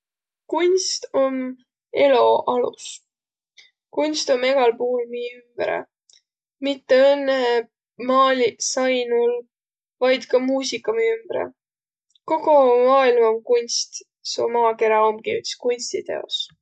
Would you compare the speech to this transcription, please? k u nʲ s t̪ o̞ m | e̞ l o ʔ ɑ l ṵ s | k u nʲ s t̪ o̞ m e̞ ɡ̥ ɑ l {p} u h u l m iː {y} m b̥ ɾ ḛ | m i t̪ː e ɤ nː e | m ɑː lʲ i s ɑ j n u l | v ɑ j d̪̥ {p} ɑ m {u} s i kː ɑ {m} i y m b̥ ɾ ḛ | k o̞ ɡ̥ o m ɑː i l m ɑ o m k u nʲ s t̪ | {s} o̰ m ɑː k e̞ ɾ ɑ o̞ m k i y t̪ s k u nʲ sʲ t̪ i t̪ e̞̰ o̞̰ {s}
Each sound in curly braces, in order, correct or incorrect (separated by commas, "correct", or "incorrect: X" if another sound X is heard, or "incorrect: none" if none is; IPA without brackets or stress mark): correct, correct, incorrect: k, incorrect: uː, correct, correct, correct